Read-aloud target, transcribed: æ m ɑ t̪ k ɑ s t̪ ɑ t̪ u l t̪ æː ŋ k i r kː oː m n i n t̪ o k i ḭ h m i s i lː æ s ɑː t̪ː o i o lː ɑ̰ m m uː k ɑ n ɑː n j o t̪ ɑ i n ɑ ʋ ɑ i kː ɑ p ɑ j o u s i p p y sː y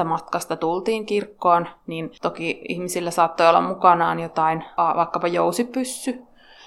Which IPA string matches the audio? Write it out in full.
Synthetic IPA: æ m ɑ t̪ k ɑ s t̪ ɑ t̪ u l t̪ iː ŋ k i r kː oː n n i n t̪ o k i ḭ h m i s i lː æ s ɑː t̪ː o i o lː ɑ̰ m m u k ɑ n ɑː n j o t̪ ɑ i n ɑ ʋ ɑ i kː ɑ p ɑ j o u s i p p y sː y